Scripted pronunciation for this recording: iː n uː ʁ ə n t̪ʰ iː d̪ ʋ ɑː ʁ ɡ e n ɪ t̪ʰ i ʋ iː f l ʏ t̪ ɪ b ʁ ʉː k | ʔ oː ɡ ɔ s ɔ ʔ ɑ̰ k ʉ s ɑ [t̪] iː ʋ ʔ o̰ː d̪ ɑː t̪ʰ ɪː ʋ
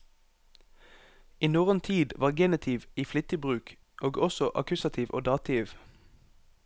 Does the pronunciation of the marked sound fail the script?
yes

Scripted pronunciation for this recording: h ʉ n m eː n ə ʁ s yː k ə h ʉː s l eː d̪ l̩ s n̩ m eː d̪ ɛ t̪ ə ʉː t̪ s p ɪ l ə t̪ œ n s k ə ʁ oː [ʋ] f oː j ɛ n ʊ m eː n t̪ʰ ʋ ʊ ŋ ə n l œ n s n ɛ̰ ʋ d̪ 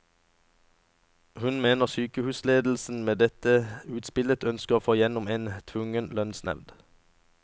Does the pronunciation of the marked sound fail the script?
yes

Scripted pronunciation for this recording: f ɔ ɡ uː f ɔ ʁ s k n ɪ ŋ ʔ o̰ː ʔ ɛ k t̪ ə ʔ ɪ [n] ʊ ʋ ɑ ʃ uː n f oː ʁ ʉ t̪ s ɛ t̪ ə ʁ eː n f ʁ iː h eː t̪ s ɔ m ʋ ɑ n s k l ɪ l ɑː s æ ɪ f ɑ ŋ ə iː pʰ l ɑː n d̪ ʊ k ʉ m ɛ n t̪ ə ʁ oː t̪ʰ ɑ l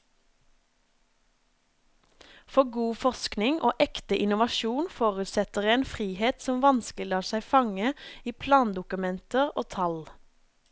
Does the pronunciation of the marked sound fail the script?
no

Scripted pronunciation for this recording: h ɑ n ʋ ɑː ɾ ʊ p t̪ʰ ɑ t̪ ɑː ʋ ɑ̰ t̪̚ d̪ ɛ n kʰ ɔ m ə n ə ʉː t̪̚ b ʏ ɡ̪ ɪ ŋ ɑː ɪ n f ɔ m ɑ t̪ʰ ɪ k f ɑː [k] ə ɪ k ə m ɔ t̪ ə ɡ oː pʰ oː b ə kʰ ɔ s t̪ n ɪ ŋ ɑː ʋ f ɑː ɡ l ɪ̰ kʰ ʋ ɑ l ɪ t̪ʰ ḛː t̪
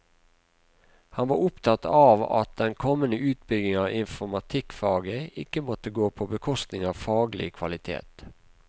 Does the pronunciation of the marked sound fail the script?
yes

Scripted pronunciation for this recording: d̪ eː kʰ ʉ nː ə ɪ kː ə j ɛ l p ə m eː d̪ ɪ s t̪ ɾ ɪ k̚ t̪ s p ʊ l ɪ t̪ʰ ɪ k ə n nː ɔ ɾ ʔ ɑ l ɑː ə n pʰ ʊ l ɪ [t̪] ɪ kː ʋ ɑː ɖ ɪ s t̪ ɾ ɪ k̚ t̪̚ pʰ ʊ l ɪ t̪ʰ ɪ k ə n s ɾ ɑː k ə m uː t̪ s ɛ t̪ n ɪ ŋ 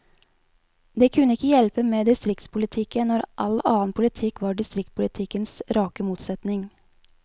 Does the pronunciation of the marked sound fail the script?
yes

